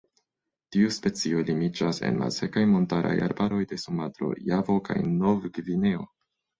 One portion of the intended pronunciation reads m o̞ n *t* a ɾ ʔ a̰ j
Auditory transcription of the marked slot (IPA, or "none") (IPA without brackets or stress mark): t